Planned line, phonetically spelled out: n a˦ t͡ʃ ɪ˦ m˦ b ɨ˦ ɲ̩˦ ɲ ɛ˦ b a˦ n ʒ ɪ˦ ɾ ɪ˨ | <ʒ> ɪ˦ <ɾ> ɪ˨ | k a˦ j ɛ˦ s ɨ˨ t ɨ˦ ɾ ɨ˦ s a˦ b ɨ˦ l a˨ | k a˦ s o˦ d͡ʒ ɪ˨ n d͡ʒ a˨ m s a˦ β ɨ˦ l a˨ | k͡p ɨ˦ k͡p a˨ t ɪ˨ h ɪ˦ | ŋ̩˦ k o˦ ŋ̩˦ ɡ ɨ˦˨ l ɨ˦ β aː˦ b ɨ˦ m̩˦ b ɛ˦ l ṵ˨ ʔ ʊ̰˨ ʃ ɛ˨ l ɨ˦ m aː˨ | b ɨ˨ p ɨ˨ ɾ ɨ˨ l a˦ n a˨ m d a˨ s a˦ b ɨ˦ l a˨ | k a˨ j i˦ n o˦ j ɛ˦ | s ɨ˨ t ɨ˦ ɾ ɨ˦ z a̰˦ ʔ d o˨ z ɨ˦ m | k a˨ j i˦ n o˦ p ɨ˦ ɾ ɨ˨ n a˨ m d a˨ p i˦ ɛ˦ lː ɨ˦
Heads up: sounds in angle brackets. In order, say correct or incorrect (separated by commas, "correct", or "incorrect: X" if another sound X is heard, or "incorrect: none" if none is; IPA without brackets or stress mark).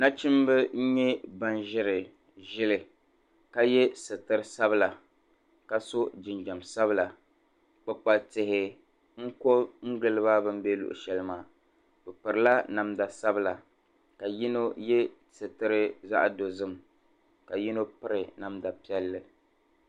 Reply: correct, incorrect: l